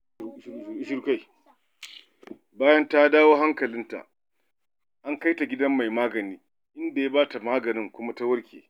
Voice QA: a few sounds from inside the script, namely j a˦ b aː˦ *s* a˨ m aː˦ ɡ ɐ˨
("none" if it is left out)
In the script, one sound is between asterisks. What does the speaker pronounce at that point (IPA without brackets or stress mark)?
t